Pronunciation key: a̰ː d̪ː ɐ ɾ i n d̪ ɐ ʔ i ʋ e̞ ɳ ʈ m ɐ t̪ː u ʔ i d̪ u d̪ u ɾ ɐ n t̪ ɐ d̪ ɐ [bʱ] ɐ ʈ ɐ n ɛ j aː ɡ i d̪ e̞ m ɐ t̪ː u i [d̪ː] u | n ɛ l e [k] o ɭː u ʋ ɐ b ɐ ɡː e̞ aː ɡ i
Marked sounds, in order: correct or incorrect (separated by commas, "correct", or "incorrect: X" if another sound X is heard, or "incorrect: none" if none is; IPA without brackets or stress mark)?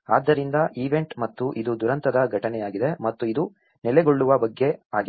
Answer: incorrect: ɡʱ, incorrect: d̪, incorrect: ɡ